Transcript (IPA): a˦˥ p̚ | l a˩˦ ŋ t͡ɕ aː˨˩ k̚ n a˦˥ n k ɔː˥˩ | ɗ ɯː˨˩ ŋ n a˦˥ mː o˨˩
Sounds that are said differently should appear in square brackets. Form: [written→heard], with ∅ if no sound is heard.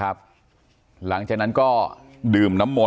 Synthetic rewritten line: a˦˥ p̚ | l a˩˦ ŋ t͡ɕ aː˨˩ k̚ n a˦˥ n k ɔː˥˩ | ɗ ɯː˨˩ [ŋ→m] n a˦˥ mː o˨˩